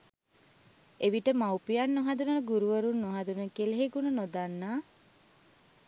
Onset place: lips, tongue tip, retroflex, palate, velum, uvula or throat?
lips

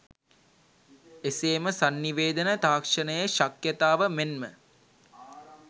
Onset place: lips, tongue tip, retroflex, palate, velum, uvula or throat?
tongue tip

